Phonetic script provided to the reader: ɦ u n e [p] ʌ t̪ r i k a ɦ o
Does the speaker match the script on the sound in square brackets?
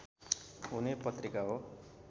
yes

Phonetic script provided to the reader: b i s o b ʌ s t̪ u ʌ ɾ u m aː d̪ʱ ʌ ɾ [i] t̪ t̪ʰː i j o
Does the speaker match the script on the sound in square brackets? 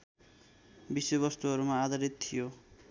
yes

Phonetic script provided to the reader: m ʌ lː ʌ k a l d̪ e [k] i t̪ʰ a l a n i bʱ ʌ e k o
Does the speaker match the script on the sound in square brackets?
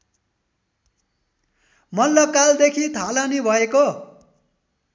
no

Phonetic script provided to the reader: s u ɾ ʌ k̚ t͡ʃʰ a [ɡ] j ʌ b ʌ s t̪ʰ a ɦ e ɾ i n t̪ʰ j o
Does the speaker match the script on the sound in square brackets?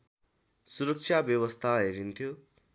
no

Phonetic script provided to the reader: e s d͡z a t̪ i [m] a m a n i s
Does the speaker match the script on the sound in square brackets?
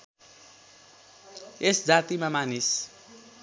yes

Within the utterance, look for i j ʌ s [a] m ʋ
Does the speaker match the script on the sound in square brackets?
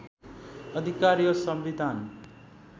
no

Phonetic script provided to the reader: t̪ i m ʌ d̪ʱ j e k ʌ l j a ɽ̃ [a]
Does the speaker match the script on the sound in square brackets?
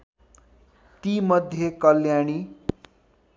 no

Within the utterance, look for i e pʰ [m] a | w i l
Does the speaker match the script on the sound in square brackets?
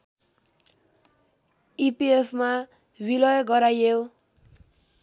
yes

